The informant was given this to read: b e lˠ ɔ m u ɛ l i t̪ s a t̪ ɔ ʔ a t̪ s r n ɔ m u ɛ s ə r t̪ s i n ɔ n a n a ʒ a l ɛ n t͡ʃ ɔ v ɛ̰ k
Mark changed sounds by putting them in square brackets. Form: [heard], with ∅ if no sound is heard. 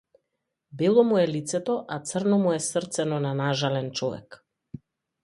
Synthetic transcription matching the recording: b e lˠ ɔ m u ɛ l i t̪ s [ɛ] t̪ ɔ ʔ a t̪ s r n ɔ m u ɛ s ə r t̪ s [ɛ] n ɔ n a n a ʒ a l ɛ n t͡ʃ ɔ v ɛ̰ k

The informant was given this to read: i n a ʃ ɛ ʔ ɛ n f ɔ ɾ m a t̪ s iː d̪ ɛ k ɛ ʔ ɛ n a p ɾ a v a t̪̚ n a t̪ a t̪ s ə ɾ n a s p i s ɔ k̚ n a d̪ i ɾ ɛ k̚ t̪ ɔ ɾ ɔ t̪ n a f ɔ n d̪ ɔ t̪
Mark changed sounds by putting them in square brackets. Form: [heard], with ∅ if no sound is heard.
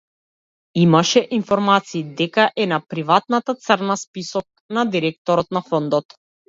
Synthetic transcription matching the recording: i [m] a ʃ ɛ ʔ [i] n f ɔ ɾ m a t̪ s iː d̪ ɛ k [a] ʔ ɛ n a p ɾ [i] v a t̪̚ n a t̪ a t̪ s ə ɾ n a s p i s ɔ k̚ n a d̪ i ɾ ɛ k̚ t̪ ɔ ɾ ɔ t̪ n a f ɔ n d̪ ɔ t̪

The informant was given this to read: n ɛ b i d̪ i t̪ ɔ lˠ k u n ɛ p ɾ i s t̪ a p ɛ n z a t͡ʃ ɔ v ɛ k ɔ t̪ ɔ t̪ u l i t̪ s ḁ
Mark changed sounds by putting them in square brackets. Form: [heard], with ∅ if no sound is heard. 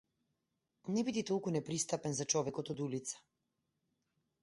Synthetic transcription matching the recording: n ɛ b i d̪ i t̪ ɔ lˠ k u n ɛ p ɾ i s t̪ a p ɛ n z a t͡ʃ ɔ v ɛ k ɔ t̪ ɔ [d̪] u l i t̪ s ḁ

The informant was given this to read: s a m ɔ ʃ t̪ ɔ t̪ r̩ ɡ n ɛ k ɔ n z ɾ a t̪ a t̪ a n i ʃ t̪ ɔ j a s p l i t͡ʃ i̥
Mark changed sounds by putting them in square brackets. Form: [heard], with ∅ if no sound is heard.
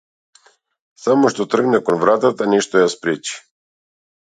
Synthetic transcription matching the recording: s a m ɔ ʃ t̪ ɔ t̪ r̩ ɡ n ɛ k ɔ n [v] ɾ a t̪ a t̪ a n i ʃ t̪ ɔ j a s p [ɾ] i t͡ʃ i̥

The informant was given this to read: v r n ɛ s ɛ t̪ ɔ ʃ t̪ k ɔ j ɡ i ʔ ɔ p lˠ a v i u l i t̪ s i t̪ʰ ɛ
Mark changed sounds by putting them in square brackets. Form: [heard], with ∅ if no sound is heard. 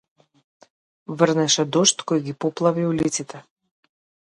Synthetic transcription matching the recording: v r n ɛ [ʃ] ɛ [d̪] ɔ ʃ t̪ k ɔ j ɡ i [p] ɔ p lˠ a v i u l i t̪ s i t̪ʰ ɛ

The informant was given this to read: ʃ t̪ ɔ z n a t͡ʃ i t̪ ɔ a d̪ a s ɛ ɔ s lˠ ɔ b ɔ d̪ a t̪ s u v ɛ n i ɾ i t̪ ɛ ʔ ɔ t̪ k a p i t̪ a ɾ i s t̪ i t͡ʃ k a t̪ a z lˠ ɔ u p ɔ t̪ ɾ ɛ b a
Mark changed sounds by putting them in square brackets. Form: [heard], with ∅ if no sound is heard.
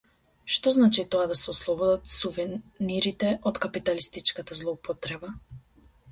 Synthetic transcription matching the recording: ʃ t̪ ɔ z n a t͡ʃ i t̪ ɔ a d̪ a s ɛ ɔ s lˠ ɔ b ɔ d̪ a t̪ s u v ɛ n i ɾ i t̪ ɛ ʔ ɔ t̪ k a p i t̪ a [l] i s t̪ i t͡ʃ k a t̪ a z lˠ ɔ u p ɔ t̪ ɾ ɛ b a

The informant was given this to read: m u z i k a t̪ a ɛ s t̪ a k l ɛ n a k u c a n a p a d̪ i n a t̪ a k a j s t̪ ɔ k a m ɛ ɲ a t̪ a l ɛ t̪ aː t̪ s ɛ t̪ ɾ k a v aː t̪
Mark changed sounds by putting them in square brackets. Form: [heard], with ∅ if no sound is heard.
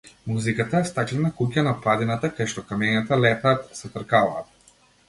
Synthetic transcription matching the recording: m u z i k a t̪ a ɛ s t̪ a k l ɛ n a k u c a n a p a d̪ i n a t̪ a k a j [ʃ] t̪ ɔ k a m ɛ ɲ a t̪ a l ɛ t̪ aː t̪ s ɛ t̪ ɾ k a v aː t̪

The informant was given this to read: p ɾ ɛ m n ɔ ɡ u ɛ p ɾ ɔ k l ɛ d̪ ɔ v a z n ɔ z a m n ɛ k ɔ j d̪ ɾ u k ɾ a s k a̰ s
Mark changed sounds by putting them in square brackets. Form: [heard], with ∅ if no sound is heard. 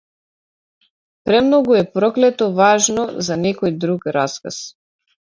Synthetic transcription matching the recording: p ɾ ɛ m n ɔ ɡ u ɛ p ɾ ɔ k l ɛ [t̪] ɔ v a [ʒ] n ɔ z a [∅] n ɛ k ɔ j d̪ ɾ u k ɾ a s k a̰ s

